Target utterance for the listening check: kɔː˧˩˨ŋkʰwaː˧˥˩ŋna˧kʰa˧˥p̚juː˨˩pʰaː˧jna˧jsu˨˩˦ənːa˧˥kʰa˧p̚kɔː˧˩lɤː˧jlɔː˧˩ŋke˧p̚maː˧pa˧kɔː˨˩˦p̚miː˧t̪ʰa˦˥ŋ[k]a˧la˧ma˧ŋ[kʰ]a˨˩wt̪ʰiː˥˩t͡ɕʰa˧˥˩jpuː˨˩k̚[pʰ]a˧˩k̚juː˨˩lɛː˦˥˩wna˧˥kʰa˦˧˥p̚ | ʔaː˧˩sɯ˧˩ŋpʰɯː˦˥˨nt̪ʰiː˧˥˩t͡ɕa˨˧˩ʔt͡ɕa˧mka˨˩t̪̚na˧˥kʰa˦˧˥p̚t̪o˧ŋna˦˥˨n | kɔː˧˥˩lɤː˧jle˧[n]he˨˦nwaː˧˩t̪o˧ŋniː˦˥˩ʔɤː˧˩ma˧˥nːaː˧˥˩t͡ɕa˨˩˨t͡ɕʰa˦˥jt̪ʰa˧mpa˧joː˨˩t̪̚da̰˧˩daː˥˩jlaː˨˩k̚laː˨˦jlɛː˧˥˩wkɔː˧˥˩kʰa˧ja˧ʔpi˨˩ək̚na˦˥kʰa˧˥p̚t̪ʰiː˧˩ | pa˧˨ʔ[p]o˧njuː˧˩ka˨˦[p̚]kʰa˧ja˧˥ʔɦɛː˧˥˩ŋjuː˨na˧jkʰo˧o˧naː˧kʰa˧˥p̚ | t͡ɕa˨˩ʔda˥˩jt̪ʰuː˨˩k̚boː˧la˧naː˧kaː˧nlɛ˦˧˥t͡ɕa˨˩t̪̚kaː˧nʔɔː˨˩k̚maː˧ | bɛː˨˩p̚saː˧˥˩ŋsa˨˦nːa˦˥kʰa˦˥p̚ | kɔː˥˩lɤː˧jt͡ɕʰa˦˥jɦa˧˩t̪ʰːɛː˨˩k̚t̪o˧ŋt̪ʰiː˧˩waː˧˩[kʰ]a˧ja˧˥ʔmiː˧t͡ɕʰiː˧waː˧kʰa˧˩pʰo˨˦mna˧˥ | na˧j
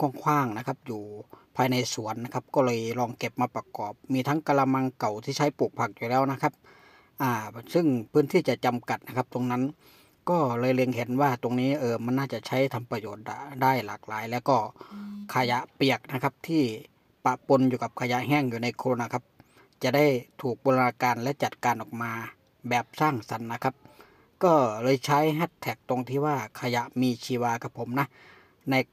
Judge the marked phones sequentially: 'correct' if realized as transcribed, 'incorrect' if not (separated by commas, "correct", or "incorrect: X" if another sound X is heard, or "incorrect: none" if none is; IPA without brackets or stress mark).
correct, incorrect: k, correct, incorrect: ŋ, correct, correct, correct